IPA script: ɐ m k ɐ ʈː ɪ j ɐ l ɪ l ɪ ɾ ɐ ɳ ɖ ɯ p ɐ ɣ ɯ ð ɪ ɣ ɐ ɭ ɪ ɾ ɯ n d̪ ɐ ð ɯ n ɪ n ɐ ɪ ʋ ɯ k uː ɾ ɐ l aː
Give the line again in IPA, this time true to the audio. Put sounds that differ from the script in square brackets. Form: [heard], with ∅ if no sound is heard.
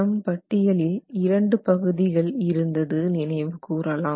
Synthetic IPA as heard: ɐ m [p] ɐ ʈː ɪ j ɐ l ɪ l ɪ ɾ ɐ ɳ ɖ ɯ p ɐ ɣ ɯ ð ɪ ɣ ɐ ɭ ɪ ɾ ɯ n d̪ ɐ ð ɯ n ɪ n ɐ ɪ ʋ ɯ k uː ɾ ɐ l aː